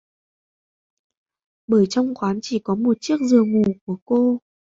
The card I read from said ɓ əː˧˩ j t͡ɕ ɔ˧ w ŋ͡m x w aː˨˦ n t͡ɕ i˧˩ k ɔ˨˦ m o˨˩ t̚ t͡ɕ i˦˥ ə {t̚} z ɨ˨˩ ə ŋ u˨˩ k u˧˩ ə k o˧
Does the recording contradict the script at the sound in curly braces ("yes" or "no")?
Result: yes